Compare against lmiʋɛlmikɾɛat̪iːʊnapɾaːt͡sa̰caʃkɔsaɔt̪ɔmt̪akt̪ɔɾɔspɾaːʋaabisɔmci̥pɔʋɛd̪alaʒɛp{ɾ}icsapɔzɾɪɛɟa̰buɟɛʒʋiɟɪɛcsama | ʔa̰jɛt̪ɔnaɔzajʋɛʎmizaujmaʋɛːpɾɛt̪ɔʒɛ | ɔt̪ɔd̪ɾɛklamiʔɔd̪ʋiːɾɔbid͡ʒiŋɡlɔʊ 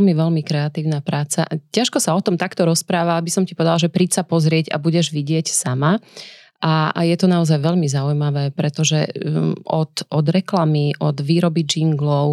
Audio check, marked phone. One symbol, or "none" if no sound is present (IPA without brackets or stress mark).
ɾ